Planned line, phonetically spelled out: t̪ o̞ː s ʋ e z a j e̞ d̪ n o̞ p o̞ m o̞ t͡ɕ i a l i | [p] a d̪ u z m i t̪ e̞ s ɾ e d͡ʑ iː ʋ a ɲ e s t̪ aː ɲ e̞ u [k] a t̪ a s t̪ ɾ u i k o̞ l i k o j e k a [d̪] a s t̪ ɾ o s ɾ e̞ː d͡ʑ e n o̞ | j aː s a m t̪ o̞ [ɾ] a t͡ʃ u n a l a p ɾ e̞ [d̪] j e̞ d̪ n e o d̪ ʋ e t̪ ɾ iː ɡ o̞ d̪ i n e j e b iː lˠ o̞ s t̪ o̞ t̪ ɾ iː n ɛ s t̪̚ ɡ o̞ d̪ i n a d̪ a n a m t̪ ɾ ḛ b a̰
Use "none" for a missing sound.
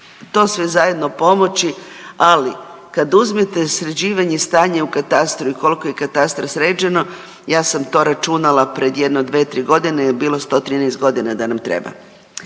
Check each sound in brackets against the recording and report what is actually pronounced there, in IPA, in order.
k, k, t̪, ɾ, d̪

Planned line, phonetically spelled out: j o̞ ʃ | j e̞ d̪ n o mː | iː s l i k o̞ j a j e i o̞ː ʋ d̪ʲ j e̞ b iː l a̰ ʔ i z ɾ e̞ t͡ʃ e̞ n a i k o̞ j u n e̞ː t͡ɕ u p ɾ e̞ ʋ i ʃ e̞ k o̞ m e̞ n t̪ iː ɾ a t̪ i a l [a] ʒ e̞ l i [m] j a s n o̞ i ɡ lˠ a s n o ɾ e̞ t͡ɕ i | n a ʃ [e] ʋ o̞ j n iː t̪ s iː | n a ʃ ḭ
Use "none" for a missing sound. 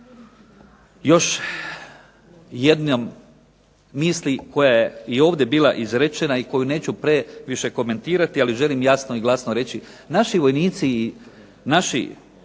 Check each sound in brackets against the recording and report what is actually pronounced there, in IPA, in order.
i, m, i

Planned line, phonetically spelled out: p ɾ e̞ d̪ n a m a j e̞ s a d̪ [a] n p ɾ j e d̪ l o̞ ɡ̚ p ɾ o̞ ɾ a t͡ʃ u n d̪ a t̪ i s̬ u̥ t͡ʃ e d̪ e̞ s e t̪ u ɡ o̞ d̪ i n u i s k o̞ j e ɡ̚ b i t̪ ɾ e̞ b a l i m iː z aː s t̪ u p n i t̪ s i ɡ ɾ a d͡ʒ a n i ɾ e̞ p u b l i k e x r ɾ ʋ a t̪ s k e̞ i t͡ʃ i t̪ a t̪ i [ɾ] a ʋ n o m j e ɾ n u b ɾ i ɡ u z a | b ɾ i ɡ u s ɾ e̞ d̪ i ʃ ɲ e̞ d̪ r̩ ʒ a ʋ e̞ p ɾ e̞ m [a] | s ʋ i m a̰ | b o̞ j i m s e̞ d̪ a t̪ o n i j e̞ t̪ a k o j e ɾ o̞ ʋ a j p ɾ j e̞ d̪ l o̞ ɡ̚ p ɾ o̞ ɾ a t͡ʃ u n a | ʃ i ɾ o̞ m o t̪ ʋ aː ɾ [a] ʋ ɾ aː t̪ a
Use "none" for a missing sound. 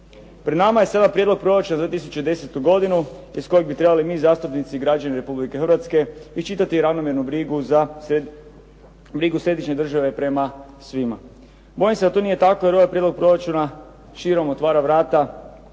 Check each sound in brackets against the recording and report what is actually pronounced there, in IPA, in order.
a, ɾ, a, a

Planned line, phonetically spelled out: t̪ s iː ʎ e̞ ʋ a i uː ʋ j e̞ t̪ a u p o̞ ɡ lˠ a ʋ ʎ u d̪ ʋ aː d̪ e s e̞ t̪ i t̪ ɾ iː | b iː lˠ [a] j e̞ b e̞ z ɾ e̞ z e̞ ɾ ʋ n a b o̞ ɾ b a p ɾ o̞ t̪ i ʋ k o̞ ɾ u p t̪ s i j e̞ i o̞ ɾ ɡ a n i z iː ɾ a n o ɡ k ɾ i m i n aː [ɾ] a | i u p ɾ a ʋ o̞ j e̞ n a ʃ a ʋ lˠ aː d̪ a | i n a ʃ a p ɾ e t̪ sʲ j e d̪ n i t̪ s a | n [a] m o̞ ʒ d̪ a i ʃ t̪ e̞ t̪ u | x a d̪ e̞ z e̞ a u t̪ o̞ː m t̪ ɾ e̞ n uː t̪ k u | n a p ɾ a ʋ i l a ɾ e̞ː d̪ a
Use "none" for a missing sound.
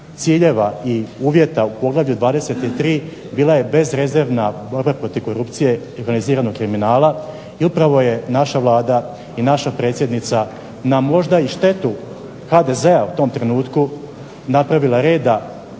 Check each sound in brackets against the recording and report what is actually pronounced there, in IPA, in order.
a, l, a

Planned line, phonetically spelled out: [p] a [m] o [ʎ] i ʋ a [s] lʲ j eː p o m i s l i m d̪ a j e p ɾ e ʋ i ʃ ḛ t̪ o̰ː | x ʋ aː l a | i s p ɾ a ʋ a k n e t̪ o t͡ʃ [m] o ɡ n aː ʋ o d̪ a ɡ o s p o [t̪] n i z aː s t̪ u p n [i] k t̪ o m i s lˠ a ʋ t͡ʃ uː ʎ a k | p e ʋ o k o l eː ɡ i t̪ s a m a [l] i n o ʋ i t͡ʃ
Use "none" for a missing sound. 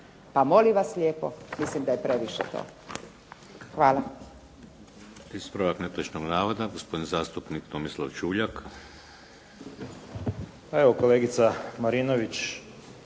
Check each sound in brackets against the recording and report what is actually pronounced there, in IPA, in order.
p, m, l, s, n, d̪, i, ɾ

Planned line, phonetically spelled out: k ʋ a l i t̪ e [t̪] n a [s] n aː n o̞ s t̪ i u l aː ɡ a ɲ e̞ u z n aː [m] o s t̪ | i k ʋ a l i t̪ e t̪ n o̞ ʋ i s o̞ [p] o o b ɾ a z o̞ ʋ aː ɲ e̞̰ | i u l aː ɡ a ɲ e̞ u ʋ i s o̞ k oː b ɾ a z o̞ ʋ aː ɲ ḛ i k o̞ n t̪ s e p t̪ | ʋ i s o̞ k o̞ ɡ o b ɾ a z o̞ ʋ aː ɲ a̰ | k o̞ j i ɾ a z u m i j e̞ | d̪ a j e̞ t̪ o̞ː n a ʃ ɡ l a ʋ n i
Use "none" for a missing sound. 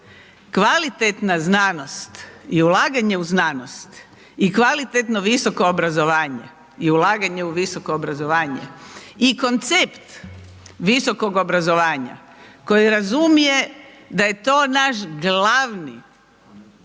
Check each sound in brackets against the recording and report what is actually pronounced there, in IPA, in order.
t̪, z, n, k

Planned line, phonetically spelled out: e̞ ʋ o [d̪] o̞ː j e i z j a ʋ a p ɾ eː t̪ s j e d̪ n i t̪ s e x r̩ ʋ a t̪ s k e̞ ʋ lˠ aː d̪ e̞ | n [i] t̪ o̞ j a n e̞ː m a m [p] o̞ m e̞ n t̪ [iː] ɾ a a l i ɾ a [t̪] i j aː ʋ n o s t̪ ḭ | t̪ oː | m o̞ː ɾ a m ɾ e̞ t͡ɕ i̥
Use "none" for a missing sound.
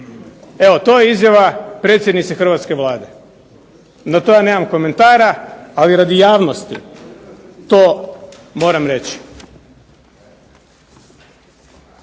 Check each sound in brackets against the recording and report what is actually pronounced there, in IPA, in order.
t̪, a, k, aː, d̪

